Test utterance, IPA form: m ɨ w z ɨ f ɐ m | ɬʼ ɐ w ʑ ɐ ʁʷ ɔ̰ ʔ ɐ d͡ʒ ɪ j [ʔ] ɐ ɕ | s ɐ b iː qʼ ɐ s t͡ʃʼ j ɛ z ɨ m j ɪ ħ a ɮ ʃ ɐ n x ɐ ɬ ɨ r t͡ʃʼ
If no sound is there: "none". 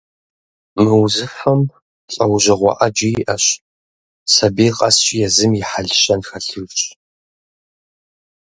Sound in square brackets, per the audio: ʔ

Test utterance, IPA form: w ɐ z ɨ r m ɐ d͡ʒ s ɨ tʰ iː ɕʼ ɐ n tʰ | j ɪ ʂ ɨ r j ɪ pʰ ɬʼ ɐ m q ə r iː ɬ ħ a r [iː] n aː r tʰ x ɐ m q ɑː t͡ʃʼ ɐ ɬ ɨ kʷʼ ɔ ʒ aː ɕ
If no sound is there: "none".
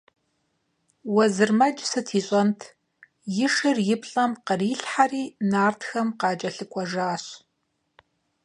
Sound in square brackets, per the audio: iː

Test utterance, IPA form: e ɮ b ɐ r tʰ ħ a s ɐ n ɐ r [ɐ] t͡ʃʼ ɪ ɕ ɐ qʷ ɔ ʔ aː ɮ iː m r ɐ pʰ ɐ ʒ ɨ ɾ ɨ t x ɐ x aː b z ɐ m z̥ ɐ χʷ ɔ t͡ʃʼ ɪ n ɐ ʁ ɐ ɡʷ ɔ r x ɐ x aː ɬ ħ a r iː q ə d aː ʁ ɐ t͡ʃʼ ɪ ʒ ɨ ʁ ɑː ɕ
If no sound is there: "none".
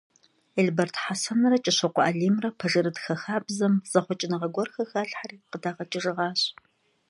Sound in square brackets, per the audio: ɐ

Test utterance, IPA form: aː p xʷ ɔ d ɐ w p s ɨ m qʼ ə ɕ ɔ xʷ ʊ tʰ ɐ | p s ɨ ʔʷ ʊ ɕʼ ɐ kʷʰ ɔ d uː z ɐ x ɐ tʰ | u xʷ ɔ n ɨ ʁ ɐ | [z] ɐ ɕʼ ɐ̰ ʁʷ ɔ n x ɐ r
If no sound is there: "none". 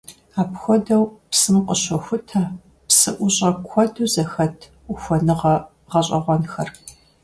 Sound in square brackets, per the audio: ʁ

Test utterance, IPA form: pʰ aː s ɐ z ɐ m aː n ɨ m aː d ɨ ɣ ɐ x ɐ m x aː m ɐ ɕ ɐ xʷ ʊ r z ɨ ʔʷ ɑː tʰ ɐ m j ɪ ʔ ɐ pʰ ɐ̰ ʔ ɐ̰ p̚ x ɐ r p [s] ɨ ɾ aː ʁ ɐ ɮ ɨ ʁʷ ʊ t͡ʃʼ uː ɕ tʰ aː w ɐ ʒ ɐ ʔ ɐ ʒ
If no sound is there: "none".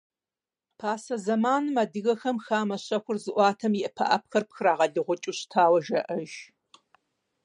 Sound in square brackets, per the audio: x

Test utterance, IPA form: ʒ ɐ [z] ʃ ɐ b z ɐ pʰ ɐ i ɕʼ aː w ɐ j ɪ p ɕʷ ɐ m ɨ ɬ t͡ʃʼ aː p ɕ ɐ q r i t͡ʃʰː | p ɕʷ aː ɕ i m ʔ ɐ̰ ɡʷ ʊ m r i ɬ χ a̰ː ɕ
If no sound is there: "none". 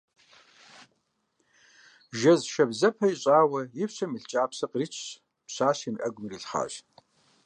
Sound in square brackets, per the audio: z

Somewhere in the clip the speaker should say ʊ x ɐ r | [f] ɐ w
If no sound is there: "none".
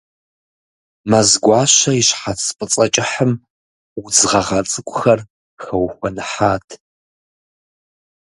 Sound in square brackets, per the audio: x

